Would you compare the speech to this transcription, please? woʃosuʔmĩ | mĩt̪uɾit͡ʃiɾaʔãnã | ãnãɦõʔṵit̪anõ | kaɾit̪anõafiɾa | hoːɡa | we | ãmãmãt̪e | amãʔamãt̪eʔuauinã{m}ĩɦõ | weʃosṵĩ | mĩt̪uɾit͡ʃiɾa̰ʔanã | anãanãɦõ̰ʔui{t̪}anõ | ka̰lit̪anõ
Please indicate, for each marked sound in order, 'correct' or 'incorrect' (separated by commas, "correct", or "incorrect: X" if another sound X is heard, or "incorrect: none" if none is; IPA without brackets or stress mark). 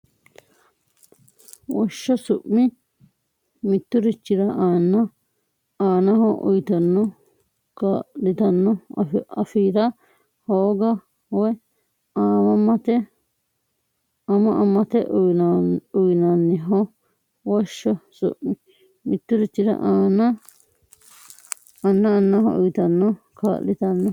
incorrect: n, correct